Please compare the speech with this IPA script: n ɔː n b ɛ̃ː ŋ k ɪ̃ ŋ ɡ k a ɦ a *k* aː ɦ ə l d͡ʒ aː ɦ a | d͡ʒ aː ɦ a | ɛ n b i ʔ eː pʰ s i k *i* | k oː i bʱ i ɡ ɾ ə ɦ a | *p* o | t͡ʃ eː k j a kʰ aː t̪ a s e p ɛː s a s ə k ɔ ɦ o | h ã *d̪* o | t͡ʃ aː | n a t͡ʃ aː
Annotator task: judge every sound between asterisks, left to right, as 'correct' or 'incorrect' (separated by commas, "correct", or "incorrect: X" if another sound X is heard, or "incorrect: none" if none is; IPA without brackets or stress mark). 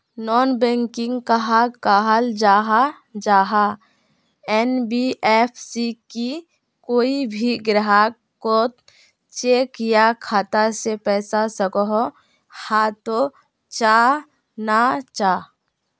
correct, correct, incorrect: k, incorrect: t̪